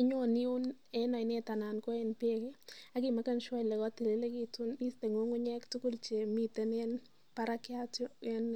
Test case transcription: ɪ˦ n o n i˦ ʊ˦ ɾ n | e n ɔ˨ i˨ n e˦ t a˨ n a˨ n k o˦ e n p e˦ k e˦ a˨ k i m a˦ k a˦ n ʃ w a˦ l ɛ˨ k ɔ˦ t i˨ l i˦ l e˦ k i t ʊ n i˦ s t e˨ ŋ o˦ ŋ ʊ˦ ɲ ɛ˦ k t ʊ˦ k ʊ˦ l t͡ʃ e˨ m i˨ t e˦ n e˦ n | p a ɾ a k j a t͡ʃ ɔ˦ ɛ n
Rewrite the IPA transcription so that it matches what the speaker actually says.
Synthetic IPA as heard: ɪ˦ ɲ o n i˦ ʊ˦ n | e n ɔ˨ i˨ n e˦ t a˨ n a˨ n k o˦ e n p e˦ k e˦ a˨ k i m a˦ k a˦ n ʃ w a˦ l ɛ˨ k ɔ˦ t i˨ l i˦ l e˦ k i t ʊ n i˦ s t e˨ ŋ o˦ ŋ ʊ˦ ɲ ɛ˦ k t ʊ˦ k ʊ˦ l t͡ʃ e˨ m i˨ t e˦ n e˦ n | p a ɾ a k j a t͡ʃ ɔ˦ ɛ n